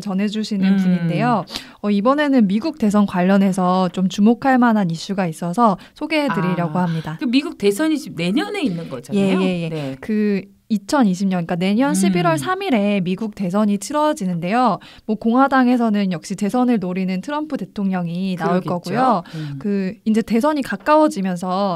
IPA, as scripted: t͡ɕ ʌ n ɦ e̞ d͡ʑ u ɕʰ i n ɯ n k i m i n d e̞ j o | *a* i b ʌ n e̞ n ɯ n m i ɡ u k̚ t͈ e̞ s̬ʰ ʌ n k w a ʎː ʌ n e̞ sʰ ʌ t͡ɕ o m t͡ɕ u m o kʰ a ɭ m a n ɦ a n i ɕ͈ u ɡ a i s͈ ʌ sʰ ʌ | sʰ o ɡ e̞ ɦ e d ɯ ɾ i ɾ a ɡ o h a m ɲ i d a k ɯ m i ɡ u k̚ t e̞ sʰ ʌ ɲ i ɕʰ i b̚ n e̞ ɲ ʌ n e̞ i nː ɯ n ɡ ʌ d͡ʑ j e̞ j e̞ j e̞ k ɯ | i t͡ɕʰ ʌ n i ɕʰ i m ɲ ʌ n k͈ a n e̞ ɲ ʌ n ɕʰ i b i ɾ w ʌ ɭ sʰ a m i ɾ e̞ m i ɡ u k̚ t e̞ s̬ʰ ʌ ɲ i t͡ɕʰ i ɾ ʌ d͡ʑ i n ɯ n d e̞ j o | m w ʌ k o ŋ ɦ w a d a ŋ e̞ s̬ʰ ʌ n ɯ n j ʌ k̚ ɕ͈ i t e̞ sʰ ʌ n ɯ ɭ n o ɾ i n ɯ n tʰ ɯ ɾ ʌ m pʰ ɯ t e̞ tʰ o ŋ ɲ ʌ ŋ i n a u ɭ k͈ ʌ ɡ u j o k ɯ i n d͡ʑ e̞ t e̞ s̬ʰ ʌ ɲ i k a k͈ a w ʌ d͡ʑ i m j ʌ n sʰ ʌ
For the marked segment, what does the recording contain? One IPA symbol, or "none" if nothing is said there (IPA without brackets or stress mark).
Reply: ʌ